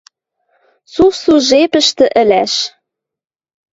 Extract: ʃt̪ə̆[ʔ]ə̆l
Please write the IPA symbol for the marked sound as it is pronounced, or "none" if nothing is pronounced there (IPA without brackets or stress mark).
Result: ʔ